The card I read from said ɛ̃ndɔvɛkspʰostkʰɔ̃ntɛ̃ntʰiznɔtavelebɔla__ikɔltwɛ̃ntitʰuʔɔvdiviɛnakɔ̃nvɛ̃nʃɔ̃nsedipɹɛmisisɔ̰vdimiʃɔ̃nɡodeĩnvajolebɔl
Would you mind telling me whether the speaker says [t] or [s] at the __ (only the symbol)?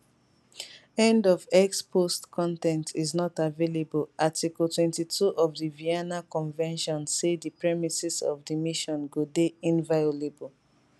t